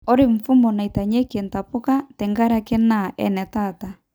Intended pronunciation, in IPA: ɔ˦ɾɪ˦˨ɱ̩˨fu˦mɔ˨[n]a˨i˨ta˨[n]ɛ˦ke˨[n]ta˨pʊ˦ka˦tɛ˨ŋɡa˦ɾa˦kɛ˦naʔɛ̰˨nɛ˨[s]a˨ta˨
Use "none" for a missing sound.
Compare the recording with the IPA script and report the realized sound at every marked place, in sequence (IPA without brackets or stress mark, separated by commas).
n, ɲ, n, t